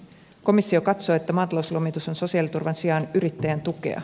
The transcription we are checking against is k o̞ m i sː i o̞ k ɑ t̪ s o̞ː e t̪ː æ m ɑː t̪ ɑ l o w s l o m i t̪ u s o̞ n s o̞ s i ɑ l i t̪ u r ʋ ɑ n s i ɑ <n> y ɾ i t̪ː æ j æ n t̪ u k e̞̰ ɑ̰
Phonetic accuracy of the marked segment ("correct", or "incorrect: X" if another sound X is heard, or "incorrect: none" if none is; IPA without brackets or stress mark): correct